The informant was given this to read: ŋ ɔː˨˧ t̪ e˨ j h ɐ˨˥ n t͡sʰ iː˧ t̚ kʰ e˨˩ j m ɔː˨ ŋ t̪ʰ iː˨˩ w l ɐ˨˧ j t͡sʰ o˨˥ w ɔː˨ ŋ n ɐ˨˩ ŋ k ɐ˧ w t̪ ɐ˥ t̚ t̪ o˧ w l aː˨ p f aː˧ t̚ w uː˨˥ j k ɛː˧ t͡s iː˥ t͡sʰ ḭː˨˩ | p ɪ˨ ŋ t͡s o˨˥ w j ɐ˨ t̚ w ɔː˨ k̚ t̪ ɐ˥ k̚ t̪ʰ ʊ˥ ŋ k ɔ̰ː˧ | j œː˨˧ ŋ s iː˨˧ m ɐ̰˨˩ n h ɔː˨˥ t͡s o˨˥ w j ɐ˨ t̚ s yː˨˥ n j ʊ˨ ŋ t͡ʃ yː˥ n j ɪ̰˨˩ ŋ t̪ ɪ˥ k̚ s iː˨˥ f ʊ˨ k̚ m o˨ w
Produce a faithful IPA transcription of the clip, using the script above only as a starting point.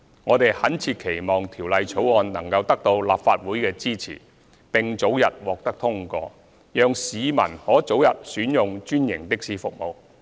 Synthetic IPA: ŋ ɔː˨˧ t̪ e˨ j h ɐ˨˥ n t͡sʰ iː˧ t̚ kʰ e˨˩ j m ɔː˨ ŋ t̪ʰ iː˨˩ w l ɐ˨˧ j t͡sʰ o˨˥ w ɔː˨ n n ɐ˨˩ ŋ k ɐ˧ w t̪ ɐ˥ k̚ t̪ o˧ w l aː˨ p f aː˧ t̚ w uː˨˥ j k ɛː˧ t͡s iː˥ t͡sʰ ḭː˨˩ | p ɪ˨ ŋ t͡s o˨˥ w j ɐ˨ t̚ w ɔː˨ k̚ t̪ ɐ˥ k̚ t̪ʰ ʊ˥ ŋ k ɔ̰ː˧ | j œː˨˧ ŋ s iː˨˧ m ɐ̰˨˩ n h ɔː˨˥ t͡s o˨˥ w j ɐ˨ t̚ s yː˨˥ n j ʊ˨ ŋ t͡ʃ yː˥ n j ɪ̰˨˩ ŋ t̪ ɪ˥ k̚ s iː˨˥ f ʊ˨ k̚ m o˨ w